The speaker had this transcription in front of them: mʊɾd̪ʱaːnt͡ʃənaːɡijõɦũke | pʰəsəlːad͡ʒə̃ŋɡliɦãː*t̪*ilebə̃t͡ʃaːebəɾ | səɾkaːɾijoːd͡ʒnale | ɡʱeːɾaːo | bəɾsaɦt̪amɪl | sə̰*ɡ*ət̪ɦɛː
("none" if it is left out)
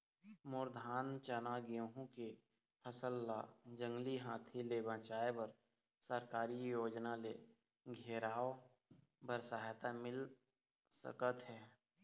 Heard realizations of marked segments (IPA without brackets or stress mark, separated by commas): t̪ʰ, k